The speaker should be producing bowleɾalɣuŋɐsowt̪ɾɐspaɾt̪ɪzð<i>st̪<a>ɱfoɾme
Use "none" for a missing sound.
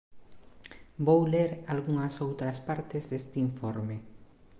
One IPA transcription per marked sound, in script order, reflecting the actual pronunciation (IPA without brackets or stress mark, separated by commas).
e, i